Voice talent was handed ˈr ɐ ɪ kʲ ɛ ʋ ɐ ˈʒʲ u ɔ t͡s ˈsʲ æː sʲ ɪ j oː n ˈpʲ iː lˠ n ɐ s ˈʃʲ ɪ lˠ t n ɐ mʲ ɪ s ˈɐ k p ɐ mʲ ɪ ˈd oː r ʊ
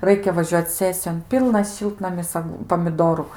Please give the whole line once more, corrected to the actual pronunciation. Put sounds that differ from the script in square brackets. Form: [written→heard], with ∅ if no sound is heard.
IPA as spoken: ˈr ɐ ɪ kʲ ɛ ʋ ɐ ˈʒʲ u ɔ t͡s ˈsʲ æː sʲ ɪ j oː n ˈpʲ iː lˠ n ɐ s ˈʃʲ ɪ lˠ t n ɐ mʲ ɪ s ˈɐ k p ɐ mʲ ɪ ˈd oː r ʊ